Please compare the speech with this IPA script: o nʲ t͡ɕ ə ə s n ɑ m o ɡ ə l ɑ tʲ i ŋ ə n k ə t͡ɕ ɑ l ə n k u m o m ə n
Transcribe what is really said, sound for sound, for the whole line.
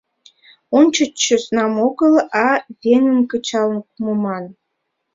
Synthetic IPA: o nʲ t͡ɕ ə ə s n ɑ m o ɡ ə l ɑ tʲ e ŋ ə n k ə t͡ɕ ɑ l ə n k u m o m ɑ n